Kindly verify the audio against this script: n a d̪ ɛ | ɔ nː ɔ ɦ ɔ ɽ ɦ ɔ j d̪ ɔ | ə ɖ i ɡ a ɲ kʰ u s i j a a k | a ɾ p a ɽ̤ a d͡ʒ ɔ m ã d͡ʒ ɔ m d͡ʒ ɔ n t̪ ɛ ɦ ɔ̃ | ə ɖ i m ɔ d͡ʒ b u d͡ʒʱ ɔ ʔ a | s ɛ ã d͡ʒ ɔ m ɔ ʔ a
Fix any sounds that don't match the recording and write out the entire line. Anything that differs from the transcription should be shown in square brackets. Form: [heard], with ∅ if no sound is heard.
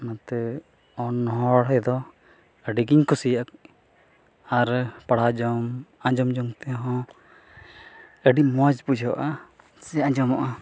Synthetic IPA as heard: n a [t̪] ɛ | ɔ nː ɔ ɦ ɔ ɽ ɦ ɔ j d̪ ɔ | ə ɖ i ɡ [i] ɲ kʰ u s i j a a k | a ɾ p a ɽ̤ a d͡ʒ ɔ m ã d͡ʒ ɔ m d͡ʒ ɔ [ŋ] t̪ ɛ ɦ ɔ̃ | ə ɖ i m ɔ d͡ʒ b u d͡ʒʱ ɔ ʔ a | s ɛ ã d͡ʒ ɔ m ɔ ʔ a